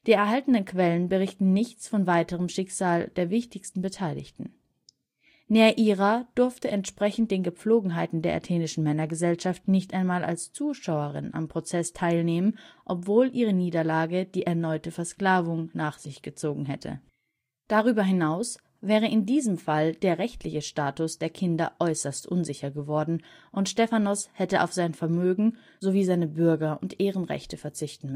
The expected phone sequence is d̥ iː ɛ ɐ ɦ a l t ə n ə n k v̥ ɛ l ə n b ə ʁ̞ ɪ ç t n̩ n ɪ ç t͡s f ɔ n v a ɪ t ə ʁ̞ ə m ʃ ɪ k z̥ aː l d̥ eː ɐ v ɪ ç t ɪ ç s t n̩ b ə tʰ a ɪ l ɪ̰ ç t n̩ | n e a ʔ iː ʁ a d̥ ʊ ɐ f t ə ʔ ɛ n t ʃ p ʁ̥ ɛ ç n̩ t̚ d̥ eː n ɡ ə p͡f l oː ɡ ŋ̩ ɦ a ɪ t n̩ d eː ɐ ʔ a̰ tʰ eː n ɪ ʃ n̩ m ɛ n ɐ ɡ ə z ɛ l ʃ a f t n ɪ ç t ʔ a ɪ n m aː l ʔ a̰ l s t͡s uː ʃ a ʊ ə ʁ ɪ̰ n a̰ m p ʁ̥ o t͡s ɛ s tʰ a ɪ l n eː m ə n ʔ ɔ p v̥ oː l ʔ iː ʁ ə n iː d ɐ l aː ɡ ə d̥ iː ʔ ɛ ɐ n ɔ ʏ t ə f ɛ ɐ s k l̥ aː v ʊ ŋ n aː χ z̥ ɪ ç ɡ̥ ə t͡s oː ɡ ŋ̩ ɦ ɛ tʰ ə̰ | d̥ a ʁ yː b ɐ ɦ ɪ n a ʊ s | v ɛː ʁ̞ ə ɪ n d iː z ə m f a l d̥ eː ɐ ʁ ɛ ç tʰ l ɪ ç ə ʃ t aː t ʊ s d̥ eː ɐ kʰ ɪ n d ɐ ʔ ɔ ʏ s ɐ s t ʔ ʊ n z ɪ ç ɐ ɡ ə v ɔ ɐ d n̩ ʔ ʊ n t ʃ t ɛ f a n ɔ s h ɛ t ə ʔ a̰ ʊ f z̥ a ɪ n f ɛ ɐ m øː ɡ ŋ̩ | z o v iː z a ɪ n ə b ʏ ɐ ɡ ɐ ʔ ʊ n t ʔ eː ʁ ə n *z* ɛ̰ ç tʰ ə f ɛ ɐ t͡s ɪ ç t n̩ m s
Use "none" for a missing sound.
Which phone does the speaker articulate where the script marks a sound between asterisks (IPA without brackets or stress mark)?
ʁ